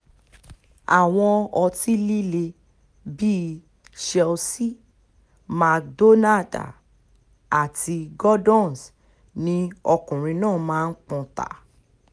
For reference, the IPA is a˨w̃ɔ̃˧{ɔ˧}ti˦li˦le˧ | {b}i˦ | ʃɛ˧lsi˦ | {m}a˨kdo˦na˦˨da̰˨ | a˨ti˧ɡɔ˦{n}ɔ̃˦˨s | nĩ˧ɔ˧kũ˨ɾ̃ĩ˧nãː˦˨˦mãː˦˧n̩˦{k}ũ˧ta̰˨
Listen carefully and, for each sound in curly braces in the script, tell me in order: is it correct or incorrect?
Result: correct, correct, correct, incorrect: d, incorrect: k͡p

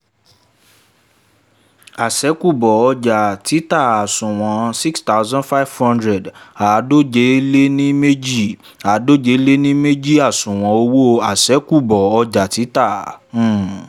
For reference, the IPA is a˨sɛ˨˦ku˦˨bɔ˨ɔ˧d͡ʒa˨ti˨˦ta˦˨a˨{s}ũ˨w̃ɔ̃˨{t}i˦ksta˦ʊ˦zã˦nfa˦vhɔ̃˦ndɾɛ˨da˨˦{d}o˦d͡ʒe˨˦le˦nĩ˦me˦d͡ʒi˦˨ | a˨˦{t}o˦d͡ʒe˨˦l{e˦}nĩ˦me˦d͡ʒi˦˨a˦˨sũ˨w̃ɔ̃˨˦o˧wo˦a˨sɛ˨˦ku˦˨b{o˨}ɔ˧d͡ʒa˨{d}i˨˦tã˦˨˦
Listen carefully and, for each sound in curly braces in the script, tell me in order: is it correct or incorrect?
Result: correct, incorrect: s, correct, incorrect: d, correct, incorrect: ɔ˨, incorrect: t

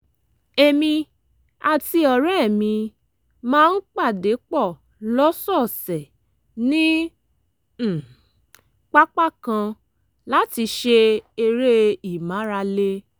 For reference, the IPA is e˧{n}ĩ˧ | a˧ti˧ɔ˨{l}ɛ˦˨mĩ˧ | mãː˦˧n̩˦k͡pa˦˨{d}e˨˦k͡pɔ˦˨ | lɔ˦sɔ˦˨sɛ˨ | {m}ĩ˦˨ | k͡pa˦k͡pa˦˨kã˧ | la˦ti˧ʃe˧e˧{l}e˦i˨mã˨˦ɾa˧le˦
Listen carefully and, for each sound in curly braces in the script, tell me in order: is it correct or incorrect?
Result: incorrect: m, incorrect: ɾ, correct, incorrect: n, incorrect: ɾ

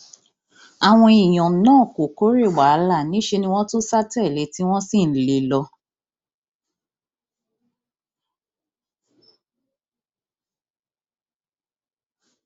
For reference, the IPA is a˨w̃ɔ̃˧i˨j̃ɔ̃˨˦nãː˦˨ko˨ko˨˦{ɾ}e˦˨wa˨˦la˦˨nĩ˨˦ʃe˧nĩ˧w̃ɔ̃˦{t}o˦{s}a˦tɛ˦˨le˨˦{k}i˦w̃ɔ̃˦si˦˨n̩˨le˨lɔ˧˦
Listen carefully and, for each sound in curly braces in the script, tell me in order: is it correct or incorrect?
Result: correct, correct, correct, incorrect: t

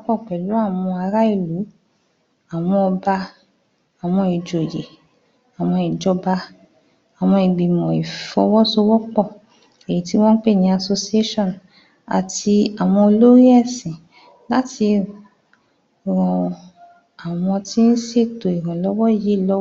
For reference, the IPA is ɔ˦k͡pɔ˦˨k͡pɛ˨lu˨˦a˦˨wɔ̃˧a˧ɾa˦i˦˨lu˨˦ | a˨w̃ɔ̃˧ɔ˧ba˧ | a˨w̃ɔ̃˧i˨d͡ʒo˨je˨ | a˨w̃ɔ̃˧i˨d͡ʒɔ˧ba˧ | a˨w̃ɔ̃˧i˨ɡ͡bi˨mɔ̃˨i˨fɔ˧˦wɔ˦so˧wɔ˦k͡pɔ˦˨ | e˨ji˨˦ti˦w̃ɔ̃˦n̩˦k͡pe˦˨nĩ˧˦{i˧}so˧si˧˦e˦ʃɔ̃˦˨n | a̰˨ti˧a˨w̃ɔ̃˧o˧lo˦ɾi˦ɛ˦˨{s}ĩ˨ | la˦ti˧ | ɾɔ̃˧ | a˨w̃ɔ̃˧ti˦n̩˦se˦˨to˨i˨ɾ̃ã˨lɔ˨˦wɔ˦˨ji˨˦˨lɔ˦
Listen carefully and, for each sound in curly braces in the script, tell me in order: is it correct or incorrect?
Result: incorrect: a˧, correct

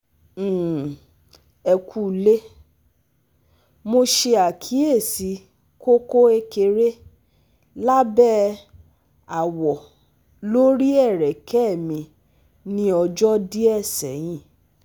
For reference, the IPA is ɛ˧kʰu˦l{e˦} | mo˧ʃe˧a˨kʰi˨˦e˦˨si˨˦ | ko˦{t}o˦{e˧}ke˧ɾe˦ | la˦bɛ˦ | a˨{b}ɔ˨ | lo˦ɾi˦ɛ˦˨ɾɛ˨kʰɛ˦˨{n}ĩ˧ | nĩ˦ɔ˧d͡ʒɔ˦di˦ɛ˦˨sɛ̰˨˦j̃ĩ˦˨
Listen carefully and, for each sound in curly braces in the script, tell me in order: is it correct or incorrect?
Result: correct, incorrect: k, correct, incorrect: w, incorrect: m

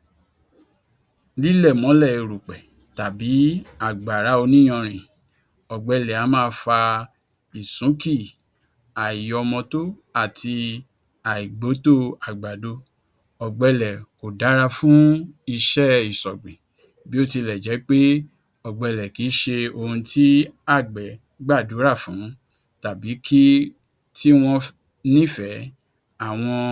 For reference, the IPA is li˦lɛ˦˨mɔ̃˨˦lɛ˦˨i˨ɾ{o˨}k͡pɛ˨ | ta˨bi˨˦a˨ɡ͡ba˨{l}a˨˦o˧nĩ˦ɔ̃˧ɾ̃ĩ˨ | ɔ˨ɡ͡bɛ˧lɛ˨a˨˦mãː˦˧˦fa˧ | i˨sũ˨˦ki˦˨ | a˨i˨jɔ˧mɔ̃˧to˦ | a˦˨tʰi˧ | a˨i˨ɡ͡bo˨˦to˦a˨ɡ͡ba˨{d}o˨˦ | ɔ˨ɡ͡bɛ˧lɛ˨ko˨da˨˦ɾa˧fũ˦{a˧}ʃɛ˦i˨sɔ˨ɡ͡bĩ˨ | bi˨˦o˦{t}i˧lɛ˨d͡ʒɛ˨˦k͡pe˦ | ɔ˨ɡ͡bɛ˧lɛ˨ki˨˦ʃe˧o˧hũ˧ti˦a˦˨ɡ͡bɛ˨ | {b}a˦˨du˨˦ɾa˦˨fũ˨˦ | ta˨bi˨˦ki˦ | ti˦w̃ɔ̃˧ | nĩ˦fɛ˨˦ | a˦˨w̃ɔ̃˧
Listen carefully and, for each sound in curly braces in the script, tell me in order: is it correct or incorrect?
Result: incorrect: u˨, incorrect: ɾ, correct, incorrect: i˧, correct, incorrect: ɡ͡b

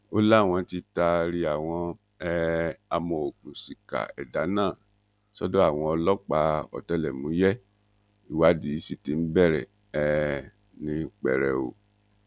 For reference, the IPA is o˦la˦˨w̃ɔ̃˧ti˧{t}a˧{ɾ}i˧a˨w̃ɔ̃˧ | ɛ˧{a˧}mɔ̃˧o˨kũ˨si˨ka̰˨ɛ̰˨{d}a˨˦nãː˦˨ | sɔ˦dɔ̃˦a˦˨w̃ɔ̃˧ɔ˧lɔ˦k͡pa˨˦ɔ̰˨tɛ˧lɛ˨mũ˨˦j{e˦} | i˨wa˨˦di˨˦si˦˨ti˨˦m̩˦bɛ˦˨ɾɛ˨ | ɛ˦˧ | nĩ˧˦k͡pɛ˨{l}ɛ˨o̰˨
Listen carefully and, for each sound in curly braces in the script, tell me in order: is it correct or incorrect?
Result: correct, correct, correct, correct, incorrect: ɛ˦, incorrect: ɾ

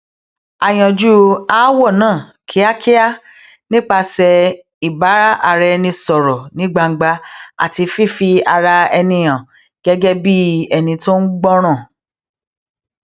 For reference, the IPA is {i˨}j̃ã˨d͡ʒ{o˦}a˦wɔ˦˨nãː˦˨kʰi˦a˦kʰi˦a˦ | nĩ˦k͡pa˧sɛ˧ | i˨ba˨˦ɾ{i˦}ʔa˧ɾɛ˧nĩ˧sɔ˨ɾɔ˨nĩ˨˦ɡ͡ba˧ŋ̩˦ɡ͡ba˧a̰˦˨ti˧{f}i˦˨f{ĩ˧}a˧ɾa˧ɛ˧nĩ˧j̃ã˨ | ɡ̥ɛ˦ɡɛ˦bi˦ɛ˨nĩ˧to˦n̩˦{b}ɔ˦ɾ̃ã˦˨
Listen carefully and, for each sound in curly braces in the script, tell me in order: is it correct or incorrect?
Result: incorrect: a˨, incorrect: u˦, incorrect: a˦, correct, incorrect: i˧, incorrect: ɡ͡b

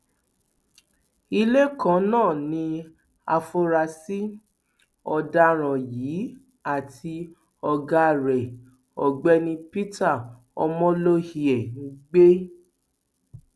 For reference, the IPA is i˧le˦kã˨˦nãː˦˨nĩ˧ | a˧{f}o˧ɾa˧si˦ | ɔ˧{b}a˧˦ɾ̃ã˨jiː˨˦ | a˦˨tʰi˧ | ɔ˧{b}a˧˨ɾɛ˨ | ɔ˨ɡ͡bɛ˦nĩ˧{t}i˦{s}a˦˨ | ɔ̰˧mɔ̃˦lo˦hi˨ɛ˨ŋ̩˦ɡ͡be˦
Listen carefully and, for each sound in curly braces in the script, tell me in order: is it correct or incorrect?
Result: correct, incorrect: d, incorrect: ɡ, incorrect: p, incorrect: t

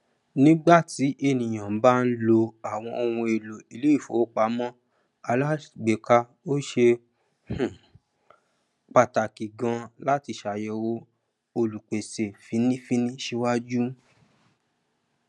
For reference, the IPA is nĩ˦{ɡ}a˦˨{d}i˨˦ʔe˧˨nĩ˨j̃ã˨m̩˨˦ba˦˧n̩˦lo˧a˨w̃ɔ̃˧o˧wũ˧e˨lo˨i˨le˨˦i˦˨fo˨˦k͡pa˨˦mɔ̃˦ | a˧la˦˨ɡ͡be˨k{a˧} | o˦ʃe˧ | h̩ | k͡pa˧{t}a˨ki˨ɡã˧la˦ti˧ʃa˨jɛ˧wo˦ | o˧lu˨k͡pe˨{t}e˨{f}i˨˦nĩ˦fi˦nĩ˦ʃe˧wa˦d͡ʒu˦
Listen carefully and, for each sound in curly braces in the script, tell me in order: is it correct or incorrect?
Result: incorrect: ɡ͡b, incorrect: t, correct, correct, incorrect: s, correct

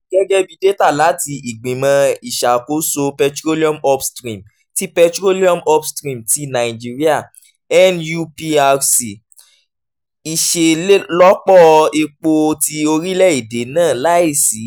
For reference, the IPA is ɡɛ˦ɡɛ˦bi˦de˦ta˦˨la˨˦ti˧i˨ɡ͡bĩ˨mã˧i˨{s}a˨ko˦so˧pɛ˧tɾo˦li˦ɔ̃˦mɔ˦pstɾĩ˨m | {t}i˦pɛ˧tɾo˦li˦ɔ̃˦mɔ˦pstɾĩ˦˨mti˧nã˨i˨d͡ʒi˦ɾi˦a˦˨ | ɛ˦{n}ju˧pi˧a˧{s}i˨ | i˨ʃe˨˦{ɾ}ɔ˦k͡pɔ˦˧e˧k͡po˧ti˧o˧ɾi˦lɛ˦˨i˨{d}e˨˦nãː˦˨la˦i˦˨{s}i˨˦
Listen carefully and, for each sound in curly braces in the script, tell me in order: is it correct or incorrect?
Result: incorrect: ʃ, correct, correct, correct, incorrect: l, correct, correct

